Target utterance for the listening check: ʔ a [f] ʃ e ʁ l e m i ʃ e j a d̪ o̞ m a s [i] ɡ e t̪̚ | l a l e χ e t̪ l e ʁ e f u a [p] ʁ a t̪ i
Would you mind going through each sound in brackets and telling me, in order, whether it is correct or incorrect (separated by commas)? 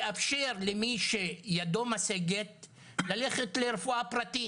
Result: correct, incorrect, correct